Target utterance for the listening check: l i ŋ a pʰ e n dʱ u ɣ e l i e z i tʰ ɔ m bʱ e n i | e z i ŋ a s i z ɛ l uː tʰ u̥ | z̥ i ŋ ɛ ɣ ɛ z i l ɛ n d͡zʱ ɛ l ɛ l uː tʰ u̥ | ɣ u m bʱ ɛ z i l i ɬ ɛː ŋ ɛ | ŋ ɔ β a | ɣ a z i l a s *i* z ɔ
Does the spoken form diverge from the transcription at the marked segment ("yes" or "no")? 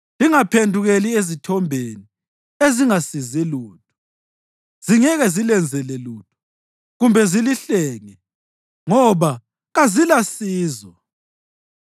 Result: yes